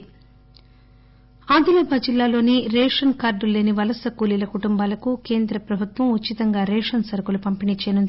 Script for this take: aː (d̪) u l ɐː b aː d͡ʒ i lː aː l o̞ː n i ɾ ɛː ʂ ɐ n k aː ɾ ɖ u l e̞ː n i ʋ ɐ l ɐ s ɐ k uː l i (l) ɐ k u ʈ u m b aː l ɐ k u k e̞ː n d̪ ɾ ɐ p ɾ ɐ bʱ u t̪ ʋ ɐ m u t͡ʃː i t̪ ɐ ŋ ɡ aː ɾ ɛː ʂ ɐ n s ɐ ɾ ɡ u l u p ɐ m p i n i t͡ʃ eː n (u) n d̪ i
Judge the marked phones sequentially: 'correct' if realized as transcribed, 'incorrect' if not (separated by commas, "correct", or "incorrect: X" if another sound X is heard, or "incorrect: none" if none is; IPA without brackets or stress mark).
correct, correct, correct